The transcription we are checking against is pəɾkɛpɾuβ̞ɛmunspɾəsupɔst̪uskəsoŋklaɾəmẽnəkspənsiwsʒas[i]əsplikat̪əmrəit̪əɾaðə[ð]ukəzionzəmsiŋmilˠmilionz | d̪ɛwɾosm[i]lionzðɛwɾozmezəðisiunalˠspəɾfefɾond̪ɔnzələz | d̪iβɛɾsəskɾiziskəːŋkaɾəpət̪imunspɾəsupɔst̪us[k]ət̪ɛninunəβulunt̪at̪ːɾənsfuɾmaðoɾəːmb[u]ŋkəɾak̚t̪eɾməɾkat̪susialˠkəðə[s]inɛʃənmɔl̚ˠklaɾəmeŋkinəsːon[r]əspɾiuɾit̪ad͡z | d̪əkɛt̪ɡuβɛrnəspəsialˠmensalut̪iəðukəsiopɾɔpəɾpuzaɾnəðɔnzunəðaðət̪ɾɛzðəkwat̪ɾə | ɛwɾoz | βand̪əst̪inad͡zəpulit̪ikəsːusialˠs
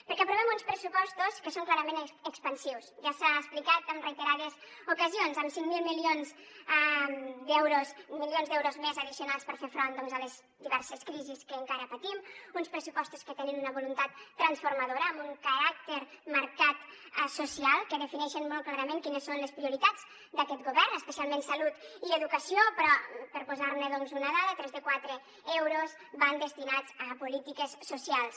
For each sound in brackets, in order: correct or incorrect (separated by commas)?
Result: incorrect, incorrect, correct, correct, correct, incorrect, incorrect